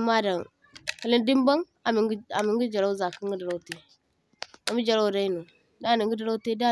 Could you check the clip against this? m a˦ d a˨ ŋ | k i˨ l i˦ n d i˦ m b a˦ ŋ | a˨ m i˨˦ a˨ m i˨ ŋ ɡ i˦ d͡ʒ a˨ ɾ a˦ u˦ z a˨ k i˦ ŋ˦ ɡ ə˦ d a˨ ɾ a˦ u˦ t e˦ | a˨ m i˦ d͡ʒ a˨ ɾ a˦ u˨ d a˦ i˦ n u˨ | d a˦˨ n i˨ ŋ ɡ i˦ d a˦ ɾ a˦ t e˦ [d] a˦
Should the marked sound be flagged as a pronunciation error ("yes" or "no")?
no